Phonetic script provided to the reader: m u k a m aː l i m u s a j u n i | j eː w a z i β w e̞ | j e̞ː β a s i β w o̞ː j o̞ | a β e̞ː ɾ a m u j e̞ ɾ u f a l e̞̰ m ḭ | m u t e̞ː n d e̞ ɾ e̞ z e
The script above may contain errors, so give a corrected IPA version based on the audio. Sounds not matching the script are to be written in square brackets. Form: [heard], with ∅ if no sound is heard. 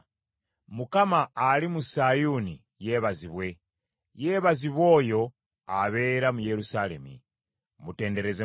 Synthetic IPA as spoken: m u k a m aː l i m u s a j u n i | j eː [β] a z i β w e̞ | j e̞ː β a [z] i β w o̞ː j o̞ | a β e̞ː ɾ a m u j e̞ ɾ u [s] a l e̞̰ m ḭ | m u t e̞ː n d e̞ ɾ e̞ z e